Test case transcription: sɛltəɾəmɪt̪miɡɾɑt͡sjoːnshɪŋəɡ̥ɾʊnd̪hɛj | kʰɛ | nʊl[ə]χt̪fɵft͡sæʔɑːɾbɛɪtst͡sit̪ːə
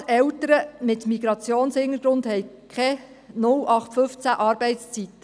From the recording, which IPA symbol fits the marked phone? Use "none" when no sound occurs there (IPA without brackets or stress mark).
ɑ